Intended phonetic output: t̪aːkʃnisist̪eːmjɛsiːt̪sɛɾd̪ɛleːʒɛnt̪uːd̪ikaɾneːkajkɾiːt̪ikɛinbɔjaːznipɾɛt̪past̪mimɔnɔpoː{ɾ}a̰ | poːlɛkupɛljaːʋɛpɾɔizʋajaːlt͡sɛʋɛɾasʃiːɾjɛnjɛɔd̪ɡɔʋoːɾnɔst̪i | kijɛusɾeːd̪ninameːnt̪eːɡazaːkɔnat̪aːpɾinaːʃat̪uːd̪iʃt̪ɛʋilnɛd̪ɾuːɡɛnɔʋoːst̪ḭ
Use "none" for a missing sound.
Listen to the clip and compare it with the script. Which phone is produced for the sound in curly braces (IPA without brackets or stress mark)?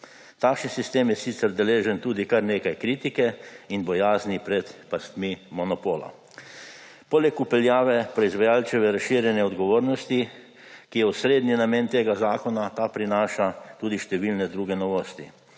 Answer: l